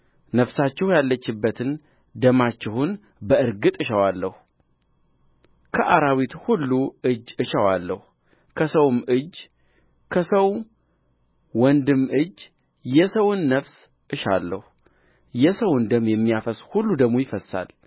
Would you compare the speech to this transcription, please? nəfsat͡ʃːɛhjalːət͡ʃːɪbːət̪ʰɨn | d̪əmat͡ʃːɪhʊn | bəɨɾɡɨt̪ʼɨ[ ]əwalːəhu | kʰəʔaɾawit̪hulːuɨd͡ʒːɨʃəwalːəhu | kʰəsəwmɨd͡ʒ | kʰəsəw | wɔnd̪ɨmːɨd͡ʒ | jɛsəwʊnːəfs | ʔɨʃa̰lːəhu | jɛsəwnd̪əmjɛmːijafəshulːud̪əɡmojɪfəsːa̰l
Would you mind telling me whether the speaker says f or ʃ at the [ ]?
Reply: ʃ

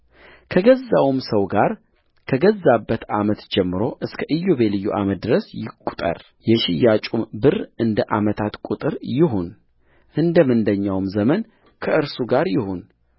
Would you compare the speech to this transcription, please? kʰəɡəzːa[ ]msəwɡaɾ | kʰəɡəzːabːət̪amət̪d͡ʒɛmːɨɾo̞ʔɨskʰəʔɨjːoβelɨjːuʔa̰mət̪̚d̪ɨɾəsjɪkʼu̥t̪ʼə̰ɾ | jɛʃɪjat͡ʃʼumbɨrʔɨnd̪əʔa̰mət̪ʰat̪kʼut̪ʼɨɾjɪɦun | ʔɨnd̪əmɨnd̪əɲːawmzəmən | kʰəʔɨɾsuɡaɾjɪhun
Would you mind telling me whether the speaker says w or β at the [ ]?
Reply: w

